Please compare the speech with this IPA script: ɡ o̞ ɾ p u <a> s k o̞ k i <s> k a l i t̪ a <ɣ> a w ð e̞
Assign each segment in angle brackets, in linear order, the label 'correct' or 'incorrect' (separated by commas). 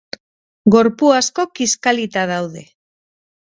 correct, correct, incorrect